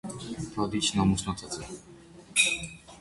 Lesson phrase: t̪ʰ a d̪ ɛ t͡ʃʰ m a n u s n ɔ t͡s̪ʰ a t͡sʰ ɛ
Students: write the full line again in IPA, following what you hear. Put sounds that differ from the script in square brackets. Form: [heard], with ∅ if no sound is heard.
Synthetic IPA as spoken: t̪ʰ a d̪ [i] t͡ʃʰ [n] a [m] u s n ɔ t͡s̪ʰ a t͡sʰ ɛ